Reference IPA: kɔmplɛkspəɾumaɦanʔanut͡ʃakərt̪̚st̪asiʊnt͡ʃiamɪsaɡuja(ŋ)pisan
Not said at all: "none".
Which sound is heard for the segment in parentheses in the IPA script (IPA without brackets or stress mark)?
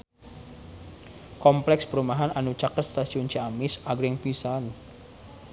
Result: ŋ